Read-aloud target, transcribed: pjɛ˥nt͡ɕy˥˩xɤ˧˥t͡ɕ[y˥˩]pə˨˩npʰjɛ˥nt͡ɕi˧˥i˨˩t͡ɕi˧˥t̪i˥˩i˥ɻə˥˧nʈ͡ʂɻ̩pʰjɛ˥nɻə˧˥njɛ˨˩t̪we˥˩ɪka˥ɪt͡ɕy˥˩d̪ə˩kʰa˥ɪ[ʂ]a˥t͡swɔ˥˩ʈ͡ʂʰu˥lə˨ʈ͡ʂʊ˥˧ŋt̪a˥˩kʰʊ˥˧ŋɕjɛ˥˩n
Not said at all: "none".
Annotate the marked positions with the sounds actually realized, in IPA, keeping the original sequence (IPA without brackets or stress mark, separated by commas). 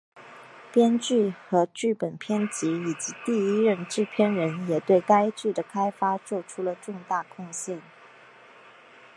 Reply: y˥˩, f